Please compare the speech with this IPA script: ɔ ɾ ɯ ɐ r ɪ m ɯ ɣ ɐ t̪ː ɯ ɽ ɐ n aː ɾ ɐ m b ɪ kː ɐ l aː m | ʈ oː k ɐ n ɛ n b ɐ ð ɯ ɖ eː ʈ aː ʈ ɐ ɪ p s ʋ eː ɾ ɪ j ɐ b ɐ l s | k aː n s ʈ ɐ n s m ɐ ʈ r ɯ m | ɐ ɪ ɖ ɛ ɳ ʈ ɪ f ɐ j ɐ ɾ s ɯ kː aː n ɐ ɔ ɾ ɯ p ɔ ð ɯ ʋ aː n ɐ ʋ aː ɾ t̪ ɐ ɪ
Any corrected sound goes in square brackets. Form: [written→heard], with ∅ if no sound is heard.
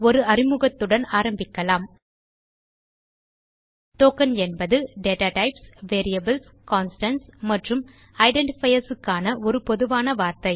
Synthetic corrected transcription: ɔ ɾ ɯ ɐ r ɪ m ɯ ɣ ɐ t̪ː ɯ ɽ ɐ n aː ɾ ɐ m b ɪ kː ɐ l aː m | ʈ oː k ɐ n ɛ n b ɐ ð ɯ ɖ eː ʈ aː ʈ ɐ ɪ p s ʋ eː ɾ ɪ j ɐ b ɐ l s | k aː n s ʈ ɐ n s m ɐ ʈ r ɯ m | ɐ ɪ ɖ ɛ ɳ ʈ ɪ f ɐ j ɐ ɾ s ɯ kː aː n ɐ ɔ ɾ ɯ p ɔ ð ɯ ʋ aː n ɐ ʋ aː ɾ t̪ ɐ ɪ

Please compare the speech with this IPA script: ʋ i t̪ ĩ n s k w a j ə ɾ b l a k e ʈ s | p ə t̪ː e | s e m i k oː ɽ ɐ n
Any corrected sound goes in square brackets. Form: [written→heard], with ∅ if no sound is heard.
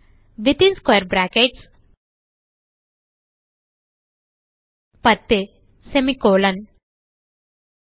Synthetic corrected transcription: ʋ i t̪ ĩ n s k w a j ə ɾ b [l→ɾ] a k e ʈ s | p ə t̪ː e | s e m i k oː [ɽ→l] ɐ n

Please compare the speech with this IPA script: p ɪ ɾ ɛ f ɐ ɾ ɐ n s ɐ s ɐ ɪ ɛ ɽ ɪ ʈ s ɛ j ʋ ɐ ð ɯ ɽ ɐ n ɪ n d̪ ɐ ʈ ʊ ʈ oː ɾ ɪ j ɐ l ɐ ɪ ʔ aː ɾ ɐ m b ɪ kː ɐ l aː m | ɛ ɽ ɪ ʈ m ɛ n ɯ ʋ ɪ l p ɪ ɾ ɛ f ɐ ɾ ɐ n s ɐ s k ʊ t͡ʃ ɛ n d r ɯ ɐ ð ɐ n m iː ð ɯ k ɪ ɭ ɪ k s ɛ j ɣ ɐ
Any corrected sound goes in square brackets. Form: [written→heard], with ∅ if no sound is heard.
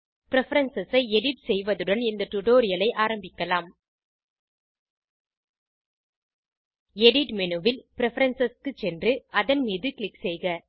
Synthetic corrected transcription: p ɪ ɾ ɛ f ɐ ɾ ɐ n s ɐ s ɐ ɪ ɛ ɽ ɪ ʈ s ɛ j ʋ ɐ ð ɯ ɽ ɐ n ɪ n d̪ ɐ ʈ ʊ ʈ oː ɾ ɪ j ɐ l ɐ ɪ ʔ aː ɾ ɐ m b ɪ kː ɐ l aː m | ɛ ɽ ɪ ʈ m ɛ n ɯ ʋ ɪ l p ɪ ɾ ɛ f ɐ ɾ ɐ n s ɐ s k [ʊ→ɯ] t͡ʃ ɛ n d r ɯ ɐ ð ɐ n m iː ð ɯ k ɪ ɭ ɪ k s ɛ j ɣ ɐ

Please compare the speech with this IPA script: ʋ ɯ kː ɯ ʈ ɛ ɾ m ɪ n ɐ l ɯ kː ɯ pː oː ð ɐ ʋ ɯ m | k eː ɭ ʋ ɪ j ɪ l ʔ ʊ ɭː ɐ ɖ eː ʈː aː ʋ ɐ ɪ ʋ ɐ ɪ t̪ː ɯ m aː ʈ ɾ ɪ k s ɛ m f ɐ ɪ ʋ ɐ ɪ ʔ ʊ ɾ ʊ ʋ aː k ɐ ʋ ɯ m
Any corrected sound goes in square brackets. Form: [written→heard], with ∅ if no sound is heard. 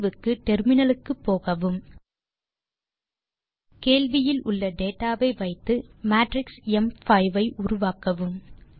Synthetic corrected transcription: ʋ ɯ kː ɯ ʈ ɛ ɾ m ɪ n ɐ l ɯ kː ɯ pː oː [ð→ɣ] ɐ ʋ ɯ m | k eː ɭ ʋ ɪ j ɪ l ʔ ʊ ɭː ɐ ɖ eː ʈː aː ʋ ɐ ɪ ʋ ɐ ɪ t̪ː ɯ m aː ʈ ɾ ɪ k s ɛ m f ɐ ɪ ʋ ɐ ɪ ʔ ʊ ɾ ʊ ʋ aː k ɐ ʋ ɯ m

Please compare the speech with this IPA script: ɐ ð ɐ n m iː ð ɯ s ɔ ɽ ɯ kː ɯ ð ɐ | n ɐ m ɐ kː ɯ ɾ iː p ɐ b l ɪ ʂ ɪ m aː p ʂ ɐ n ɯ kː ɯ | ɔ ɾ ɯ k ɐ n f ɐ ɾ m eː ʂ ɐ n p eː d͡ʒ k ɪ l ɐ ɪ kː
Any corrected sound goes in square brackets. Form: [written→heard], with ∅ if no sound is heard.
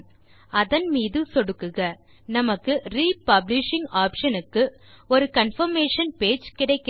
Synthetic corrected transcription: ɐ ð ɐ n m iː ð ɯ s ɔ ɽ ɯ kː ɯ [ð→ɣ] ɐ | n ɐ m ɐ kː ɯ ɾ iː p ɐ b l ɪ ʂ ɪ [m→ŋ] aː p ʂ ɐ n ɯ kː ɯ | ɔ ɾ ɯ k ɐ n f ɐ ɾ m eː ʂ ɐ n p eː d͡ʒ k ɪ [l→ɽ] ɐ ɪ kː

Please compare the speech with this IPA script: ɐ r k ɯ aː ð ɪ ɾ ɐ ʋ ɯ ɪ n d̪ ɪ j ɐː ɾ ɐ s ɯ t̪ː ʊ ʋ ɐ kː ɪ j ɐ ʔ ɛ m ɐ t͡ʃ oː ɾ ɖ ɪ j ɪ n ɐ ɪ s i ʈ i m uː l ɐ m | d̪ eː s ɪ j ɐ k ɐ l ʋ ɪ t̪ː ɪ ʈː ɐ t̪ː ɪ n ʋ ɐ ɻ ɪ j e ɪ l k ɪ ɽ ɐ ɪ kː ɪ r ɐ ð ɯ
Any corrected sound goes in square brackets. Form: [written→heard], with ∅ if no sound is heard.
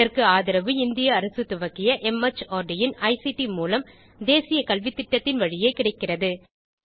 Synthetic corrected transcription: ɐ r k ɯ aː ð ɪ ɾ ɐ ʋ ɯ ɪ n d̪ ɪ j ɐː ɾ ɐ s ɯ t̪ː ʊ ʋ ɐ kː ɪ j ɐ ʔ ɛ m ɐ t͡ʃ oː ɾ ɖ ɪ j ɪ n ɐ ɪ s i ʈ i m uː l ɐ m | d̪ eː s ɪ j ɐ k ɐ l ʋ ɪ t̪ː ɪ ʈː ɐ t̪ː ɪ n ʋ ɐ ɻ ɪ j e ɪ [l→∅] k ɪ ɽ ɐ ɪ kː ɪ r ɐ ð ɯ

